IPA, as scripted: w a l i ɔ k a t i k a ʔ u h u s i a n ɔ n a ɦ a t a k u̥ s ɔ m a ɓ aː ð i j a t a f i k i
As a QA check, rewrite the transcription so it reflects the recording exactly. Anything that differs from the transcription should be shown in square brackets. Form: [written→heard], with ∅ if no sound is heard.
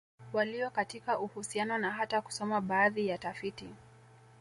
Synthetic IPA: w a l i ɔ k a t i k a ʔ u h u s i a n ɔ n a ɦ a t a k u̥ s ɔ m a ɓ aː ð i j a t a f i [k→t] i